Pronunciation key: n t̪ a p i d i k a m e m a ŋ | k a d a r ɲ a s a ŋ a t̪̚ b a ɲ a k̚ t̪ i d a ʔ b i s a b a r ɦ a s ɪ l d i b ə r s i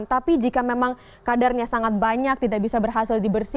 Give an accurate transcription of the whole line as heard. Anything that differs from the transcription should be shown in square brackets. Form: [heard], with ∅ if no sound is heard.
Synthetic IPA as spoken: n t̪ a p i [d͡ʒ] i k a m e m a ŋ | k a d a r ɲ a s a ŋ a t̪̚ b a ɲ a k̚ t̪ i d a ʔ b i s a b [ə] r ɦ a s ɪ l d i b ə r s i